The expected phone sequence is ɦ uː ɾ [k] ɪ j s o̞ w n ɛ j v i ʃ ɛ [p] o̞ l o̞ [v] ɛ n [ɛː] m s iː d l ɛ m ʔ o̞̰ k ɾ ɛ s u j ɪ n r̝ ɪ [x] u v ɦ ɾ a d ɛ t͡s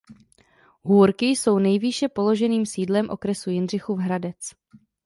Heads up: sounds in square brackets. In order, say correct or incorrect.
correct, correct, incorrect, incorrect, correct

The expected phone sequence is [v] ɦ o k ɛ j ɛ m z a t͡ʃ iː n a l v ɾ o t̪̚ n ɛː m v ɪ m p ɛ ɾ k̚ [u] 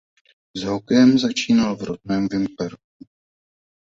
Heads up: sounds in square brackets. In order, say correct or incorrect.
incorrect, correct

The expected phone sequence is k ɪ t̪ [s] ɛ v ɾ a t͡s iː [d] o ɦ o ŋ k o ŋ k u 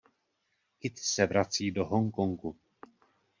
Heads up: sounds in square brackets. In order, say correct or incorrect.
correct, correct

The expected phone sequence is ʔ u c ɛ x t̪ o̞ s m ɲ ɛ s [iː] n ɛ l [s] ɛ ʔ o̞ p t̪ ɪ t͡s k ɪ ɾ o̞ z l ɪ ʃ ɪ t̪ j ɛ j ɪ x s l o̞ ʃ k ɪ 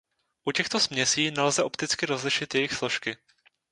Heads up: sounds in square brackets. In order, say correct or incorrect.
correct, incorrect

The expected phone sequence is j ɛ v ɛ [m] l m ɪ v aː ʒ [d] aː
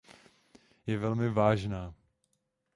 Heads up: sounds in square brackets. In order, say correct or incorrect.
incorrect, incorrect

